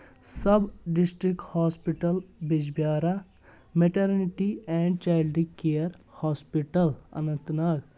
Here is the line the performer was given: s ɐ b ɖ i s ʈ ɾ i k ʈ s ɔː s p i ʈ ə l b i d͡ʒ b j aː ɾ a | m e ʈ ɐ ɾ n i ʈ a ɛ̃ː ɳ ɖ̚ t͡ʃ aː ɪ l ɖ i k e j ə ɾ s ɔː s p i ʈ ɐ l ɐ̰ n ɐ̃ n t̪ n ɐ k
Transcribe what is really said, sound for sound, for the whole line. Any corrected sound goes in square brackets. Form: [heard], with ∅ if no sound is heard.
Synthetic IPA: s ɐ b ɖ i s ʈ ɾ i k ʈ [h] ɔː s p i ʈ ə l b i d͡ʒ b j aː ɾ a | m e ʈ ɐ ɾ n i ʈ [i] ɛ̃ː ɳ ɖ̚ t͡ʃ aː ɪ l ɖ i k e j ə ɾ [h] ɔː s p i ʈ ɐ l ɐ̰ n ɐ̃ n t̪ n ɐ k

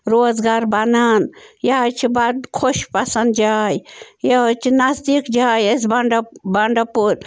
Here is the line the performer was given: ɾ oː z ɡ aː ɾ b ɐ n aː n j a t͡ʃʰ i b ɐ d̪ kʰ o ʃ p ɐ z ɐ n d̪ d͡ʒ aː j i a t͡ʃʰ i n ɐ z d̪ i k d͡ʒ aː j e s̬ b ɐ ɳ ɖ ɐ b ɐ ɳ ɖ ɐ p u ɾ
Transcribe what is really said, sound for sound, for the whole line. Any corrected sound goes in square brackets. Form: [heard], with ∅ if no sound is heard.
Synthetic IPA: ɾ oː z ɡ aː ɾ b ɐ n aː n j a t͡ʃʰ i b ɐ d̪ kʰ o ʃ p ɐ [s] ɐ n d̪ d͡ʒ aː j [j] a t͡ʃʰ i n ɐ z d̪ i k d͡ʒ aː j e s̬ b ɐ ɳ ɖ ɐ b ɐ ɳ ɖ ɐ p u ɾ

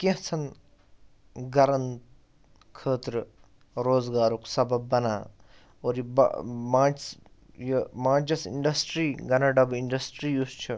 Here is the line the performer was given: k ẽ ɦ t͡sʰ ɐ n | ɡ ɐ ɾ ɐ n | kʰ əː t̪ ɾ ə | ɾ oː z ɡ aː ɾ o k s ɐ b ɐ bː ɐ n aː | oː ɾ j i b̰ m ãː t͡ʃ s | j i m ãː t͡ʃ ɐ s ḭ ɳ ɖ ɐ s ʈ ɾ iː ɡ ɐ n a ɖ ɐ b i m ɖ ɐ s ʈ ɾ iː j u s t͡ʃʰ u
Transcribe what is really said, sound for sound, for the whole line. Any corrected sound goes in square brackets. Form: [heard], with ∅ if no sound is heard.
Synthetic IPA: k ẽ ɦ t͡sʰ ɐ n | ɡ ɐ ɾ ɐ n | kʰ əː t̪ ɾ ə | ɾ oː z ɡ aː ɾ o k s ɐ b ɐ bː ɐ n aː | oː ɾ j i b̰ m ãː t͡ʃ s | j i m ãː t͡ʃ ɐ s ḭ ɳ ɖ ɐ s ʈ ɾ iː ɡ ɐ n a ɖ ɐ b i [ɳ] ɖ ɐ s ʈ ɾ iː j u s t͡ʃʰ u

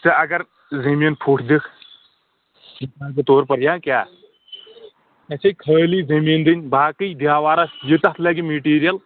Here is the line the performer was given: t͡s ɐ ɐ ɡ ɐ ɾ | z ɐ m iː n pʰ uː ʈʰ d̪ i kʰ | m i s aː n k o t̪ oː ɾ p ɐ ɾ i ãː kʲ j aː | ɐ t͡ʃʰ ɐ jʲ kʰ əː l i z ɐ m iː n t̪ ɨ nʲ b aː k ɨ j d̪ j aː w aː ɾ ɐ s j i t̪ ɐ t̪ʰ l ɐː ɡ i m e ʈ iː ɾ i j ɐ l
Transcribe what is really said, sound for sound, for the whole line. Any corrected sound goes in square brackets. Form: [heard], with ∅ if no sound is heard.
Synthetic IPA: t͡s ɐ ɐ ɡ ɐ ɾ | z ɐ m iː n pʰ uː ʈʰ d̪ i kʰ | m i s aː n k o t̪ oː ɾ p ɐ ɾ [j] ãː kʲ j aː | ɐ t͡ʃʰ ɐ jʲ kʰ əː l i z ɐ m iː n [d̪] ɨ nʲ b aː k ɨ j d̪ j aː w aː ɾ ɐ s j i t̪ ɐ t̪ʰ l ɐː ɡ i m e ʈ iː ɾ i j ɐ l

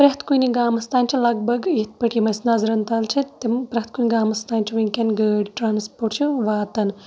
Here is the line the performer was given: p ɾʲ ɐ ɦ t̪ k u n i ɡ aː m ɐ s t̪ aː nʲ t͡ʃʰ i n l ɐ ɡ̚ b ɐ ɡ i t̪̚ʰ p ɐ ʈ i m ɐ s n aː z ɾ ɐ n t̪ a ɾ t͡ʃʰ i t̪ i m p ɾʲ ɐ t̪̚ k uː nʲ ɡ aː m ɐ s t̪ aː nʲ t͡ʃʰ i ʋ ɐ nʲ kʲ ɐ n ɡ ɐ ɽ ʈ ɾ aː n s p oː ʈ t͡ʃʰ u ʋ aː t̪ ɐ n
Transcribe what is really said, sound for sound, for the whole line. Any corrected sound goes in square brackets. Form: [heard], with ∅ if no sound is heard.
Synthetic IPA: p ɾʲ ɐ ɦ t̪ k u n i ɡ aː m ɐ s t̪ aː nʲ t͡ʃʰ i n l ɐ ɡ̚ b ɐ ɡ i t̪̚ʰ p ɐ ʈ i m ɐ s n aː z ɾ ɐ n t̪ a [l] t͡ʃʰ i t̪ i m p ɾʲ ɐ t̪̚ k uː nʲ ɡ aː m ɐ s t̪ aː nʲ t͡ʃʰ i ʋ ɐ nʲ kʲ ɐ n ɡ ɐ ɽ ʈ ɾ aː n s p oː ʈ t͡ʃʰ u ʋ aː t̪ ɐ n

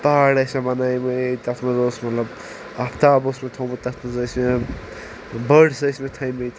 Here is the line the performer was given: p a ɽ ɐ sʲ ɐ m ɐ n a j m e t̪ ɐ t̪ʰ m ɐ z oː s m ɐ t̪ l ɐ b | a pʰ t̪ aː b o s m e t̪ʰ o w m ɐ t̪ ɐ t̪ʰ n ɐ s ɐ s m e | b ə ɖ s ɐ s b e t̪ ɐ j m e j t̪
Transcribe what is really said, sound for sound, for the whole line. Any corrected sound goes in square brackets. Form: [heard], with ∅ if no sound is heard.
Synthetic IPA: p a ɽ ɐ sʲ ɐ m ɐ n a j m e t̪ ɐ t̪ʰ m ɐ z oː s m ɐ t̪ l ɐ b | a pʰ t̪ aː b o s m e t̪ʰ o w m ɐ t̪ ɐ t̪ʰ [m] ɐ [z] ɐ s m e | b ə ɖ s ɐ s [m] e [t̪ʰ] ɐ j m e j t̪

